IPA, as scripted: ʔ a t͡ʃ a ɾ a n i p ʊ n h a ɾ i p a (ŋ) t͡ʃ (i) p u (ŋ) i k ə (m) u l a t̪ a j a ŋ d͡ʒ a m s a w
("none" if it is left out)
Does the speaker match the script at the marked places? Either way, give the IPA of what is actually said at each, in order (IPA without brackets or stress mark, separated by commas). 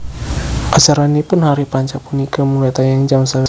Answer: ɲ, a, n, m